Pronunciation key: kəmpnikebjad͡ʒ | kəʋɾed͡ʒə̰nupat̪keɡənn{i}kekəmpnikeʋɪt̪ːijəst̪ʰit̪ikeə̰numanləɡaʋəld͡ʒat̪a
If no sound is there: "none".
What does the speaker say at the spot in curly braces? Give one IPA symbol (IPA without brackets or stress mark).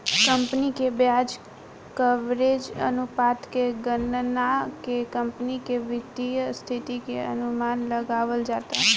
a